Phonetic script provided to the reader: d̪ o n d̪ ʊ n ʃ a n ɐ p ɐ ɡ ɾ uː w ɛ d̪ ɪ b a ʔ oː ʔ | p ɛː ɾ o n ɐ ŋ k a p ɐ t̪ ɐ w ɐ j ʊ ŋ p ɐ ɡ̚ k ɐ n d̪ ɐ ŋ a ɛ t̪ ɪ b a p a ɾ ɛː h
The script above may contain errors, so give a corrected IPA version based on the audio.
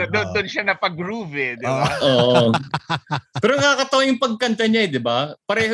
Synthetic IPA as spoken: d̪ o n d̪ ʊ n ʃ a n ɐ p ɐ ɡ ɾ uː v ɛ d̪ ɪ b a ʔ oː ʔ | p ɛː ɾ o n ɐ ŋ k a k ɐ t̪ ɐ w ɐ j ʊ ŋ p ɐ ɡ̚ k ɐ n t̪ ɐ ɲ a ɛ d̪ ɪ b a p ɐ ɾ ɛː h